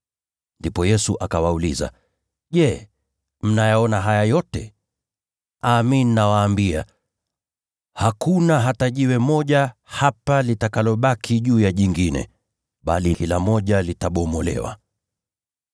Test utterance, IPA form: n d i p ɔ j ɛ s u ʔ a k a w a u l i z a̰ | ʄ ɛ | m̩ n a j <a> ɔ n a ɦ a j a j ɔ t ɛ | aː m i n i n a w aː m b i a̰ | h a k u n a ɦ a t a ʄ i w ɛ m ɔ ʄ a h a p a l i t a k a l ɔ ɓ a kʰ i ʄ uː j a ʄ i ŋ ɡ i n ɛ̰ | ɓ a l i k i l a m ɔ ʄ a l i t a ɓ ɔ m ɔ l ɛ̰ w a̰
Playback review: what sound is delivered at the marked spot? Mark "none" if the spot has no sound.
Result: a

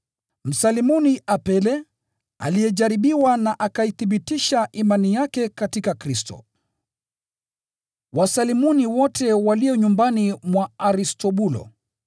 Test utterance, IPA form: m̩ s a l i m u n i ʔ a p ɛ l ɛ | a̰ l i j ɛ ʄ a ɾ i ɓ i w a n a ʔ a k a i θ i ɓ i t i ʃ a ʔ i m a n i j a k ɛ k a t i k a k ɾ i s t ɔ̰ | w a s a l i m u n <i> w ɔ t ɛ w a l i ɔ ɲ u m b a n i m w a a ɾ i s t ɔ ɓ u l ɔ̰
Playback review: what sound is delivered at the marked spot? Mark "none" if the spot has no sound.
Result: i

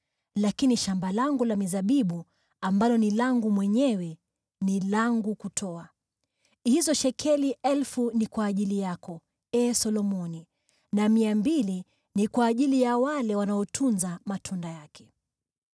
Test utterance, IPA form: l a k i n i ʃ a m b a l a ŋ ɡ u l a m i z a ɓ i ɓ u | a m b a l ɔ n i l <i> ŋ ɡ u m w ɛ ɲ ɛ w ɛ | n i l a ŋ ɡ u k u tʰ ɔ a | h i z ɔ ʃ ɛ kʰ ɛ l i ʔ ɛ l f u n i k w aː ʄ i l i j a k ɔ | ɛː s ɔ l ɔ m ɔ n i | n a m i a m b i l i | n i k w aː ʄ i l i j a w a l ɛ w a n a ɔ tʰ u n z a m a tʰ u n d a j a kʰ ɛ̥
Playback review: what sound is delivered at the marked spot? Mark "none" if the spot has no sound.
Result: a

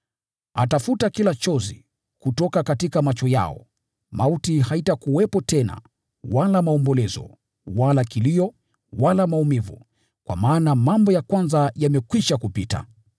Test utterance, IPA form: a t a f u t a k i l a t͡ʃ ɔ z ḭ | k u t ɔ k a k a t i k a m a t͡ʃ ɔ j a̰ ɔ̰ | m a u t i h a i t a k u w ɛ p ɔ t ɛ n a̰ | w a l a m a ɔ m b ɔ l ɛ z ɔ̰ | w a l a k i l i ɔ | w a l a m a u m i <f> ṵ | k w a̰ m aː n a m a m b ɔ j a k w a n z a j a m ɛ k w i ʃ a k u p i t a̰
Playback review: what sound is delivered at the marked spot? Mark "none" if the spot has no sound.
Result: v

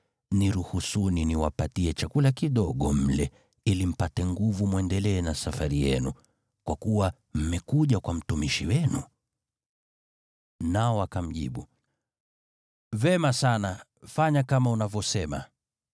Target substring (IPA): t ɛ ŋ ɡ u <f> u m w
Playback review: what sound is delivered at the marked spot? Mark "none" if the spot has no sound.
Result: v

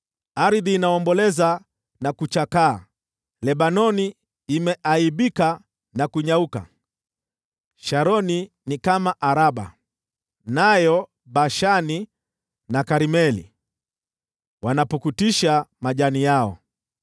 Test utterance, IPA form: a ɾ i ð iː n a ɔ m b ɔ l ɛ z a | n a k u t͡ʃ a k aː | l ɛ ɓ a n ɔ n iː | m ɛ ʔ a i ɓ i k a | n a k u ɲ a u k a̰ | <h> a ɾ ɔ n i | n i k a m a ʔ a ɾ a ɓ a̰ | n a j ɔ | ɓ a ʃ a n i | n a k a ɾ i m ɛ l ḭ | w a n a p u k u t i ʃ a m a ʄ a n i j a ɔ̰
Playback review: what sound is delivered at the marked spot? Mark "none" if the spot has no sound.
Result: ʃ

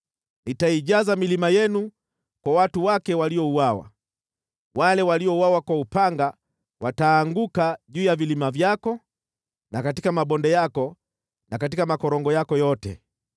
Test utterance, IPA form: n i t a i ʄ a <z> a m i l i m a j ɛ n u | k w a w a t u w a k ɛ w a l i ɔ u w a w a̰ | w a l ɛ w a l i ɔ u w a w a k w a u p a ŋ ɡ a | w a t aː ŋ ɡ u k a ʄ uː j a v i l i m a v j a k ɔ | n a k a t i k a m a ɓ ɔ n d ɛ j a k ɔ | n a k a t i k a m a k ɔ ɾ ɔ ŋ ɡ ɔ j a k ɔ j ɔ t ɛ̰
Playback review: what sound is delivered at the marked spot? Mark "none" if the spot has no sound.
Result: z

